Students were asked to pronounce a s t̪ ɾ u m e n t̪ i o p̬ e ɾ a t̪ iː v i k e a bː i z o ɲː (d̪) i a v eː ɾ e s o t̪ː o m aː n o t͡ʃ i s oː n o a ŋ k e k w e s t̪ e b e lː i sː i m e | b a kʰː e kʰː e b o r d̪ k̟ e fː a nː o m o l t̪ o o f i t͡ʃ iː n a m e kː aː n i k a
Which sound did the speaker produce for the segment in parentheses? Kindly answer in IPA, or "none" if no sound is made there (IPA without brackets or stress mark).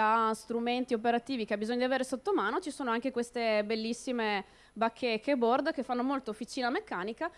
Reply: d̪